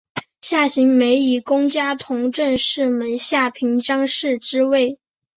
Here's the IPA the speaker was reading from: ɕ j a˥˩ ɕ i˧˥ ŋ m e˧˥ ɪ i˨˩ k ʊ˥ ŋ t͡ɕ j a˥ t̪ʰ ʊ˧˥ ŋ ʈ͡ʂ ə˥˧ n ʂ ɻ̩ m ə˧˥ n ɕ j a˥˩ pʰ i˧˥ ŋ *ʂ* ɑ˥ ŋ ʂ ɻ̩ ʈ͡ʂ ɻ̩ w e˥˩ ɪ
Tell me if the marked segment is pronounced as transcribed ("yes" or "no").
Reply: no